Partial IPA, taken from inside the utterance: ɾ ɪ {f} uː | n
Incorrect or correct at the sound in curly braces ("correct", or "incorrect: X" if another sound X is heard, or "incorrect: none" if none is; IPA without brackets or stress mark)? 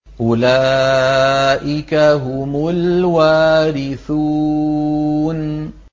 incorrect: θ